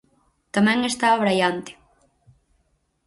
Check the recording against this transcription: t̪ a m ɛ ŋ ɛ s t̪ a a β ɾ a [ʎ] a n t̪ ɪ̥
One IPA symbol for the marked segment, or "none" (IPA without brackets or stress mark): j